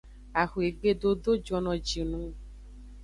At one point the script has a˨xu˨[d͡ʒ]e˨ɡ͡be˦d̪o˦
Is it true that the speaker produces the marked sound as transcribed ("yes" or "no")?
no